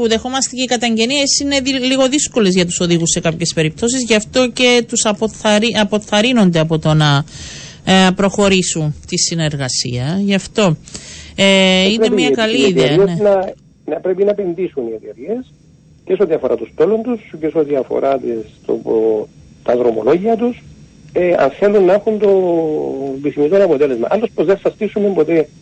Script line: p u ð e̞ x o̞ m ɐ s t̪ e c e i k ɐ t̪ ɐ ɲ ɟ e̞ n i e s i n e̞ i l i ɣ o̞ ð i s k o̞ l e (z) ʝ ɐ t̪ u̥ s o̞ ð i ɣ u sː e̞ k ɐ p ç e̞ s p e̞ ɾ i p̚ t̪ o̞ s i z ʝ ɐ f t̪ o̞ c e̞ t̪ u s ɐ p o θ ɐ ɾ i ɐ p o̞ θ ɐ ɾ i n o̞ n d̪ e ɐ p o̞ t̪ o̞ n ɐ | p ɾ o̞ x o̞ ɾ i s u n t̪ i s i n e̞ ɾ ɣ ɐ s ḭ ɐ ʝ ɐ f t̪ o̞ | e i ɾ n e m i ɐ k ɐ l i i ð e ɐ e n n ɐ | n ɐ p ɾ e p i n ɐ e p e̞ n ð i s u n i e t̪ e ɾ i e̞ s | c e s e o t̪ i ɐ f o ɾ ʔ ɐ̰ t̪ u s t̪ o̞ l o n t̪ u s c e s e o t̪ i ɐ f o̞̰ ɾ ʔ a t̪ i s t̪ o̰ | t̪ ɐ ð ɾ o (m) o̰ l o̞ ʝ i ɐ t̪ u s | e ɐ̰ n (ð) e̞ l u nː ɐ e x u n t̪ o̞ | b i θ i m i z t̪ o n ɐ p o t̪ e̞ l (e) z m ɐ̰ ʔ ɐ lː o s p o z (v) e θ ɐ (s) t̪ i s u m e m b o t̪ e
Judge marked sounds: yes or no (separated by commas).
yes, yes, no, yes, no, yes